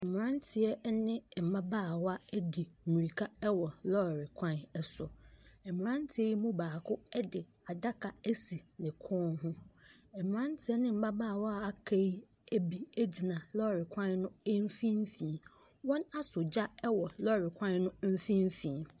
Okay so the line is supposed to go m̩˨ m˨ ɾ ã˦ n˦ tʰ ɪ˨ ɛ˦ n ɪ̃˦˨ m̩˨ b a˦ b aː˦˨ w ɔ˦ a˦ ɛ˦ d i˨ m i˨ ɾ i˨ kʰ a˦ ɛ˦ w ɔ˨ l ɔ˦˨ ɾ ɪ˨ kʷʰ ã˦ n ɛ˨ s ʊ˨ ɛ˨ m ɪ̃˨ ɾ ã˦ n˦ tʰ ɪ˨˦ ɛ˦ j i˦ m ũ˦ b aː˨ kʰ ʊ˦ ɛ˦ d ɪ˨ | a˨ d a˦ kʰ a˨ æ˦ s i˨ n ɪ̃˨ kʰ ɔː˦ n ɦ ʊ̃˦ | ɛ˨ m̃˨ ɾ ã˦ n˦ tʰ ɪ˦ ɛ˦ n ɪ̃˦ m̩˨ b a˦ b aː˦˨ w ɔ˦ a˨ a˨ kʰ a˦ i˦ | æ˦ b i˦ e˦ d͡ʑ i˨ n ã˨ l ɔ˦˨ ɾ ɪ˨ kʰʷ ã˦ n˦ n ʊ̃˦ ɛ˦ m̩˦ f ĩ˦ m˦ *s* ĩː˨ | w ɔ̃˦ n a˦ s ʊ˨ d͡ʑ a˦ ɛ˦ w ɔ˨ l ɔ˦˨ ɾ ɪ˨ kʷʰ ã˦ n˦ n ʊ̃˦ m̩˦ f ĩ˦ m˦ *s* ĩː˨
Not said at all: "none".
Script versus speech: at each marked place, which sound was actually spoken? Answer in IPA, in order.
f, f

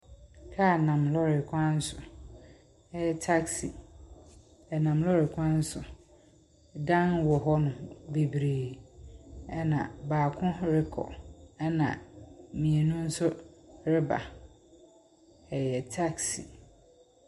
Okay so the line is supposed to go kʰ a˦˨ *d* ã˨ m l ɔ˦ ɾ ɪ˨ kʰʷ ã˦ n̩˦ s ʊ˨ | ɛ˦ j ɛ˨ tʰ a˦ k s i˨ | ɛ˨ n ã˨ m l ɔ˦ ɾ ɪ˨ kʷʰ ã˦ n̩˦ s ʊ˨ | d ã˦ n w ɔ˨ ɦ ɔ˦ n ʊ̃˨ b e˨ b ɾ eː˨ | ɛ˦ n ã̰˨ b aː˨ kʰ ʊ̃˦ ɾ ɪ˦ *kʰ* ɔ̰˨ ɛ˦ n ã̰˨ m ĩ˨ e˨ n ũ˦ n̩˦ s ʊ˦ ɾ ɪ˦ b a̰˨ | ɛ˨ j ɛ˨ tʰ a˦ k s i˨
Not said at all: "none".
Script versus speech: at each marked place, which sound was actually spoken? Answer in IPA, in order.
n, kʰ

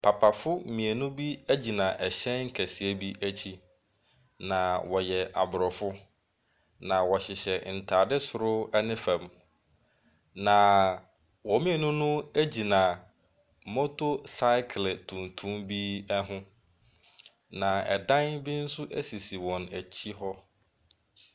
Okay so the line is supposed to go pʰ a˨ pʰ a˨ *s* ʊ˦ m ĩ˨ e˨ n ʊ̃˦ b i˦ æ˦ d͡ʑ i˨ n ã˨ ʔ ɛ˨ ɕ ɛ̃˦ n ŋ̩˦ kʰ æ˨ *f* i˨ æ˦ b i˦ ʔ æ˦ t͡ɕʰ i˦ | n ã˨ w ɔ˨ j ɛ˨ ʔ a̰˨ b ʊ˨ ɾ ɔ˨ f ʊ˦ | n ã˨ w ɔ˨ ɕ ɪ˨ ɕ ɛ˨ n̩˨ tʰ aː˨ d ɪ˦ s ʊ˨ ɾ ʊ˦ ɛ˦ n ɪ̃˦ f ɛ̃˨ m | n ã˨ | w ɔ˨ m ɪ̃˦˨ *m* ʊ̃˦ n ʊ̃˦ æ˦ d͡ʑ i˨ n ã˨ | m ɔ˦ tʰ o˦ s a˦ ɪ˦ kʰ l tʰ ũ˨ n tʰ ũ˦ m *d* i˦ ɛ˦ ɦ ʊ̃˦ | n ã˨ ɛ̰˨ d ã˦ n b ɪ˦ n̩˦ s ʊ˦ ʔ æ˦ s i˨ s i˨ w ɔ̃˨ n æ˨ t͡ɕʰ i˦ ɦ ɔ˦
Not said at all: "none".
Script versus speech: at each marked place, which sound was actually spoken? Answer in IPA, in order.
f, s, n, b

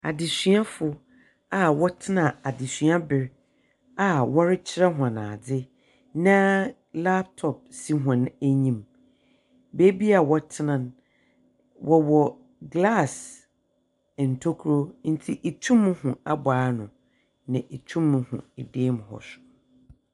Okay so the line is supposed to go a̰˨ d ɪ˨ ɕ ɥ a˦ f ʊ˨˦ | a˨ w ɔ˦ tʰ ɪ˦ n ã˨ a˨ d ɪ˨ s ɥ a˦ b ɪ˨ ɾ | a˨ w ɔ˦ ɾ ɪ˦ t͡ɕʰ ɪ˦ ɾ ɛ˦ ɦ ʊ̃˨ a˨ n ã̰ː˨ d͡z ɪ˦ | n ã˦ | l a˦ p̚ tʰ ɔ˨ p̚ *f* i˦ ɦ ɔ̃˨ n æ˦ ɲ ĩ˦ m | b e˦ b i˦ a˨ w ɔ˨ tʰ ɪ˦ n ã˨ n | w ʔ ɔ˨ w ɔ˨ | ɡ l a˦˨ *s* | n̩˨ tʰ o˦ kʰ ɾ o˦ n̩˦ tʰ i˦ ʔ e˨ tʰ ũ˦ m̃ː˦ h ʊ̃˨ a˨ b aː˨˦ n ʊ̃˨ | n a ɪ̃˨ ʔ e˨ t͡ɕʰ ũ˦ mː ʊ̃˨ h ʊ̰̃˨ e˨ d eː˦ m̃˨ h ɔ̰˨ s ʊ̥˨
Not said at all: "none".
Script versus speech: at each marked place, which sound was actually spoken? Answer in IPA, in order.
s, s

